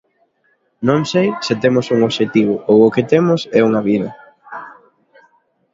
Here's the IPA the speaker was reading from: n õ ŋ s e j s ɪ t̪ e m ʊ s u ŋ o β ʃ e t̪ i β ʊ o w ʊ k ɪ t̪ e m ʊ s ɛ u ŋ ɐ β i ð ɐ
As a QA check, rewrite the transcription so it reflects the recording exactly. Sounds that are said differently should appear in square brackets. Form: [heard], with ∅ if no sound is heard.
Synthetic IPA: n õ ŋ s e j s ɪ t̪ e m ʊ s u ŋ o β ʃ e t̪ i β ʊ o w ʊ k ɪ t̪ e m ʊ s ɛ u ŋ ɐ β i ð ɐ